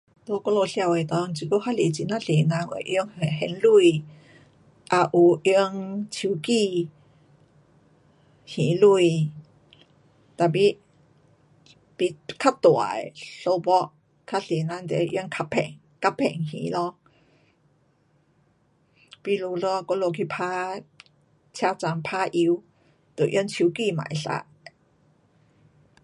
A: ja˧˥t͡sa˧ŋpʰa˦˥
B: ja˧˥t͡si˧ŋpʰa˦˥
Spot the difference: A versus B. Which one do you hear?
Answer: A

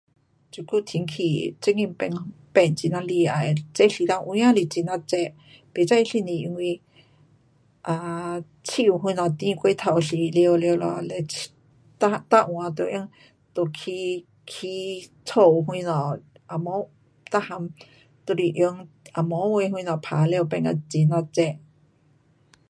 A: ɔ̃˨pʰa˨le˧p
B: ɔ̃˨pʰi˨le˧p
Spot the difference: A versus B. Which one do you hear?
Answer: A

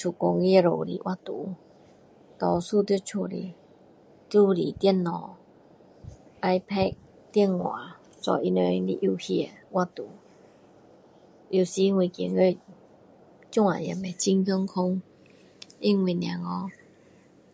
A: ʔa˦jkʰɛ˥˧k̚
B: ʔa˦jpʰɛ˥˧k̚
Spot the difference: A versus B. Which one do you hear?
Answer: B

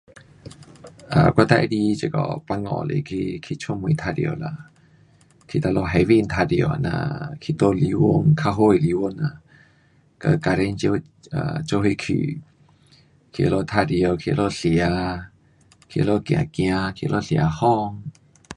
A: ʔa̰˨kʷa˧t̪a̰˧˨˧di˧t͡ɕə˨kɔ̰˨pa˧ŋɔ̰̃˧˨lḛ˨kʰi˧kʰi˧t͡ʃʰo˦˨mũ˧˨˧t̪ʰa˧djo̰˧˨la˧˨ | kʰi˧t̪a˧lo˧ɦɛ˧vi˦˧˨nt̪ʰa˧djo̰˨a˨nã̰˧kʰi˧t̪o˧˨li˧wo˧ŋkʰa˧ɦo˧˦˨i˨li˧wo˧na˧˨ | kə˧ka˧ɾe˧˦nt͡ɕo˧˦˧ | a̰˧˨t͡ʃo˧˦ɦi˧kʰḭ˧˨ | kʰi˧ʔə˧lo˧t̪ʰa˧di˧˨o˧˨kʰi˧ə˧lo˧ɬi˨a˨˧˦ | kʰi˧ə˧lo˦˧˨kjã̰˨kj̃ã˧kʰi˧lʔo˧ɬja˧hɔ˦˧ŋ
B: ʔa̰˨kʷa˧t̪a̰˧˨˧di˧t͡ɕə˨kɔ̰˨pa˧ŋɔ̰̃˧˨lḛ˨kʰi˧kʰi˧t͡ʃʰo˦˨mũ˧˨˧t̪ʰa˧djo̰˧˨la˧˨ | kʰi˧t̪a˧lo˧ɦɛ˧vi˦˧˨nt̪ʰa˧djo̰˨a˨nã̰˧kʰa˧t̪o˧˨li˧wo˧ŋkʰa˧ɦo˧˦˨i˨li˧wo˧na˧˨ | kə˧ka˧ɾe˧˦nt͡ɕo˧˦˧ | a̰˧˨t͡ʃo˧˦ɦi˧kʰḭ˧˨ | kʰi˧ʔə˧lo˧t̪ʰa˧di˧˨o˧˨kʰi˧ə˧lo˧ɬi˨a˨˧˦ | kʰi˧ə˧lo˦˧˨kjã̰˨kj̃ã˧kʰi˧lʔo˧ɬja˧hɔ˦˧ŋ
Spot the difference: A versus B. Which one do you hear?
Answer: A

